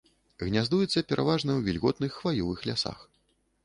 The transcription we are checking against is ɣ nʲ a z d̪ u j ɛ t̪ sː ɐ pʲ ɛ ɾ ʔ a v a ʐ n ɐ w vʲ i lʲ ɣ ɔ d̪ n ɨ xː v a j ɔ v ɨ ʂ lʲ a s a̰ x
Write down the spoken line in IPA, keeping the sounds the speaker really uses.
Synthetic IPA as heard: ɣ nʲ a z d̪ u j ɛ t̪ sː ɐ pʲ ɛ ɾ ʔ a v a ʐ n ɐ w vʲ i lʲ ɣ ɔ t̪ n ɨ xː v a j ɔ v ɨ x lʲ a s a̰ x